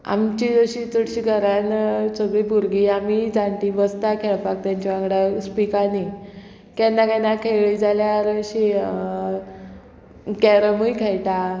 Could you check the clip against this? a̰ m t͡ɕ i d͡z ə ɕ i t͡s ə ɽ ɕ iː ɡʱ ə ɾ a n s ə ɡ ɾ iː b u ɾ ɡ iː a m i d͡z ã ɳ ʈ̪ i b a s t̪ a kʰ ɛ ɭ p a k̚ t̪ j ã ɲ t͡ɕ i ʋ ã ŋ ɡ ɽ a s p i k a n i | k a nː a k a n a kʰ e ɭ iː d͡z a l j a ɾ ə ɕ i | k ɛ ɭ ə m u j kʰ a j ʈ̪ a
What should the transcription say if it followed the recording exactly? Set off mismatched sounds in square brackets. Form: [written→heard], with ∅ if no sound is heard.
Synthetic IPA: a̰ m t͡ɕ i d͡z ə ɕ i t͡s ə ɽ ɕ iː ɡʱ ə ɾ a n s ə ɡ [ɾ→ɭ] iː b u ɾ ɡ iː a m i d͡z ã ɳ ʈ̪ i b [a→ə] s t̪ a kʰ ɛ ɭ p a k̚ t̪ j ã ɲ t͡ɕ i ʋ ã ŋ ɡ ɽ a s p i k a n i | k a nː a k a n a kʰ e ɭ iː d͡z a l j a ɾ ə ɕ i | k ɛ [ɭ→ɾ] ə m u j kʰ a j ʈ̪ a